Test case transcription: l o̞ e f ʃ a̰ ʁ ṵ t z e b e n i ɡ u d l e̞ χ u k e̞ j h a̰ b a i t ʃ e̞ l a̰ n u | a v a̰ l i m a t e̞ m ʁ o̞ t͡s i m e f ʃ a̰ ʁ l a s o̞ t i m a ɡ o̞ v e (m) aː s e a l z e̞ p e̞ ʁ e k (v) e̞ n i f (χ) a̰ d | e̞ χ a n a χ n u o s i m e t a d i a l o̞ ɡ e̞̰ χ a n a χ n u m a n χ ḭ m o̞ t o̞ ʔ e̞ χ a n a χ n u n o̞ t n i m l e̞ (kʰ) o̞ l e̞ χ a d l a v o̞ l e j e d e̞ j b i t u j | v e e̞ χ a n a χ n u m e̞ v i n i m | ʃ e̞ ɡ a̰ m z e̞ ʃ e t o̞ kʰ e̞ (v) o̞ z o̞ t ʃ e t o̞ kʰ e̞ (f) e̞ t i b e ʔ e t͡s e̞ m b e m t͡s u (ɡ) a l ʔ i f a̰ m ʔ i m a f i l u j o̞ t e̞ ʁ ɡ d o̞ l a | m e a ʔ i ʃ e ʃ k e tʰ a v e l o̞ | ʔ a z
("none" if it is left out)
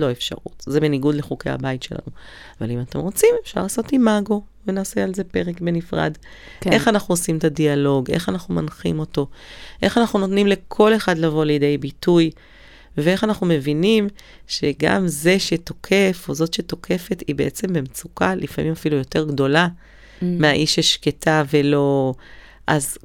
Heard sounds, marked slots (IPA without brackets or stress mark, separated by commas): n, b, ʁ, kʰ, f, f, k